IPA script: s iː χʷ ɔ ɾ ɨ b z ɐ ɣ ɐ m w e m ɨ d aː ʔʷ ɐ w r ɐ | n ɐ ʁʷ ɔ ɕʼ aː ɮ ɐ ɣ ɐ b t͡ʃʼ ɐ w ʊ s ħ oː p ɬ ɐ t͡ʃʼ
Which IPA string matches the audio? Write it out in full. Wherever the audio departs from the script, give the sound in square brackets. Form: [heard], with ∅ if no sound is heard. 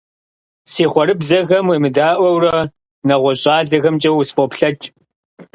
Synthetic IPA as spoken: s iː χʷ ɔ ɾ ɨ b z ɐ ɣ ɐ m w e m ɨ d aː ʔʷ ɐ w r ɐ | n ɐ ʁʷ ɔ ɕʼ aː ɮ ɐ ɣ ɐ [m] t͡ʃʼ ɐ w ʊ s [f] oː p ɬ ɐ t͡ʃʼ